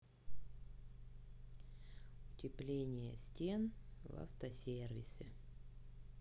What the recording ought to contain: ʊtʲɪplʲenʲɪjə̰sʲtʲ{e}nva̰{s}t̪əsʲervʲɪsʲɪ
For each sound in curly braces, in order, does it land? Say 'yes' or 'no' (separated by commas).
yes, no